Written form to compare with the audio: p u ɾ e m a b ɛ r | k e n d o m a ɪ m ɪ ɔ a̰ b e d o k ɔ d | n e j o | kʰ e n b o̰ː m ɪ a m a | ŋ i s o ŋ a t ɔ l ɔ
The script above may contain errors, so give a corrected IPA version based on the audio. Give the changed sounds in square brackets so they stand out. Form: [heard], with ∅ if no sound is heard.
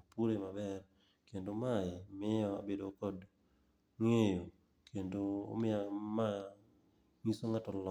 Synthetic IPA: p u ɾ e m a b ɛ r | k e n d o m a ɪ m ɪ ɔ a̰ b e d o k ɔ d | [ŋ] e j o | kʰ e n [d] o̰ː m ɪ a m a | ŋ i s o ŋ a t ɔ l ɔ